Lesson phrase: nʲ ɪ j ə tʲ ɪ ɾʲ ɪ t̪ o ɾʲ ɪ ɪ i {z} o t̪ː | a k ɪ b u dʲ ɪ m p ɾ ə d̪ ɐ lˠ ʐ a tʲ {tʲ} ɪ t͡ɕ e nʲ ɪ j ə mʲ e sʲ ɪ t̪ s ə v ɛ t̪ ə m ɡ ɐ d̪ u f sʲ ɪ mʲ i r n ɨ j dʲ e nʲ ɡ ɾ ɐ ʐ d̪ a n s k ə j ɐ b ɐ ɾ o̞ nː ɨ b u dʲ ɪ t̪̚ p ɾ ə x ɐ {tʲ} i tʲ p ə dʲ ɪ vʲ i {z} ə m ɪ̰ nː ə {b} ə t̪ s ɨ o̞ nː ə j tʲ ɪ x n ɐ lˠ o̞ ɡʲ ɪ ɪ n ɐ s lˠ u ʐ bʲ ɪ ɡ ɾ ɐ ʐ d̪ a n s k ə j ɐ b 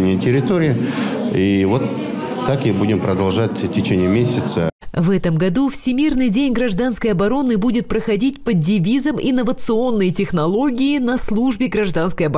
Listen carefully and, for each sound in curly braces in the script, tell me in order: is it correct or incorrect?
incorrect: v, correct, incorrect: dʲ, correct, incorrect: v

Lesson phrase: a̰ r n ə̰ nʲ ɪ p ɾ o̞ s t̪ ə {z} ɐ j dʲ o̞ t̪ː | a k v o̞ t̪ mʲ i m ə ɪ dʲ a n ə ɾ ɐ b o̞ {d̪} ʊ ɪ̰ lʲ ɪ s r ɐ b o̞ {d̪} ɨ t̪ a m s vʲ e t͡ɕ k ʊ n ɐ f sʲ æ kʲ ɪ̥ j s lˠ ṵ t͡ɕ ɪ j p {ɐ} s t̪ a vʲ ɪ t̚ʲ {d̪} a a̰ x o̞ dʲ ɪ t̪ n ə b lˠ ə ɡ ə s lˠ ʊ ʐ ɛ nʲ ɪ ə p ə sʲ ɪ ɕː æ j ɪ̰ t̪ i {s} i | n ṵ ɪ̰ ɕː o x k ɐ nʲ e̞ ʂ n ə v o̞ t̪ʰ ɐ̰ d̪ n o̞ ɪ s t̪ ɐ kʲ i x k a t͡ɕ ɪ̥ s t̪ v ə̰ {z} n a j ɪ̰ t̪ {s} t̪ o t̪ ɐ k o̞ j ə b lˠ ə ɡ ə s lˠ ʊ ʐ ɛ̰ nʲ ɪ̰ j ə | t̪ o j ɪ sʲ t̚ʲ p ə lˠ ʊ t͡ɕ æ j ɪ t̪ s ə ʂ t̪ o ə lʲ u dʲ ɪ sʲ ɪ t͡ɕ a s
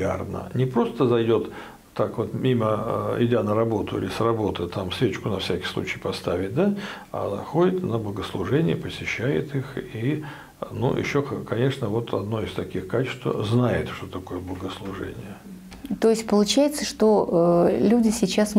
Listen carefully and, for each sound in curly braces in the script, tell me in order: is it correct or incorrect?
correct, incorrect: t̪, incorrect: t̪, correct, correct, incorrect: x, correct, incorrect: ʂ

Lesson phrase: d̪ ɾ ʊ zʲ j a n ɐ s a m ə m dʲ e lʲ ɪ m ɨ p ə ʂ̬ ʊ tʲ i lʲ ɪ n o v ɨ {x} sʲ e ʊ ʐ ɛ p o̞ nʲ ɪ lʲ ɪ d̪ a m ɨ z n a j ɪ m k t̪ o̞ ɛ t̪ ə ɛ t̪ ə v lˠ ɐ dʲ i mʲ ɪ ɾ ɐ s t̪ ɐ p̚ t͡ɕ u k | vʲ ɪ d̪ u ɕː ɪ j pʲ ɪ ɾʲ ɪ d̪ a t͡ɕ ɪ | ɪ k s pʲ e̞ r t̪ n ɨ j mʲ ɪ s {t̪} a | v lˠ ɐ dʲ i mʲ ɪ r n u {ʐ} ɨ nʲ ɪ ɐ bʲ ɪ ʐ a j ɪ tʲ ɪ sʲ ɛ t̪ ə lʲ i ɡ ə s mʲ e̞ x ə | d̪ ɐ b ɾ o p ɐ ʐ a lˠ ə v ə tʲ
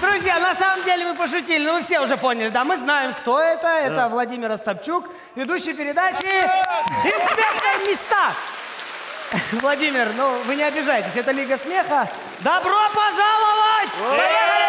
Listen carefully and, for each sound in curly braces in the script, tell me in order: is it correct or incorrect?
incorrect: f, correct, incorrect: v

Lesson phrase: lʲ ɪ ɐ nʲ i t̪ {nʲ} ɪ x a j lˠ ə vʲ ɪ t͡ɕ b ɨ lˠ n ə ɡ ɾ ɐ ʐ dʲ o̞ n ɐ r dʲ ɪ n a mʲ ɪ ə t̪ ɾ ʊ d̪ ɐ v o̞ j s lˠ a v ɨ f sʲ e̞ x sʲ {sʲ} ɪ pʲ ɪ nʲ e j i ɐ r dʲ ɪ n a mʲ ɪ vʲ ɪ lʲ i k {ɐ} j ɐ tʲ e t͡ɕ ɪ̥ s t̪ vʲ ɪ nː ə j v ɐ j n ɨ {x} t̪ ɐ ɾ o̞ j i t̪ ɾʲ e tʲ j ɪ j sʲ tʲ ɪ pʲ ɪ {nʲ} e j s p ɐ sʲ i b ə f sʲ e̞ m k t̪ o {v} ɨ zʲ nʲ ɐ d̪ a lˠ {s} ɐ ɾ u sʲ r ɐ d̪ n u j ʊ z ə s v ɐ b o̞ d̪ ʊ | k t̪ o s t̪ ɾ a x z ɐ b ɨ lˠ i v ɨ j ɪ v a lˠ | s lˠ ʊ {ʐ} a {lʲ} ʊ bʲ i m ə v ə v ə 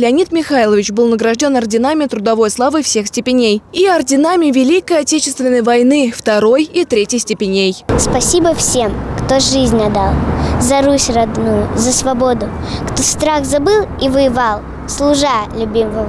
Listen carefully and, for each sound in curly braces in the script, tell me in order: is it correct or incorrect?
incorrect: mʲ, incorrect: tʲ, incorrect: ə, incorrect: f, correct, incorrect: ʐ, incorrect: z, correct, correct

